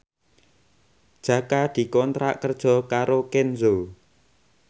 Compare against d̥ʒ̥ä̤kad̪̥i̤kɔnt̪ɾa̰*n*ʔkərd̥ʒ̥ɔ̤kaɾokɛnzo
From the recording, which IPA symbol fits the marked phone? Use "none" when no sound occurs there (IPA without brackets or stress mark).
none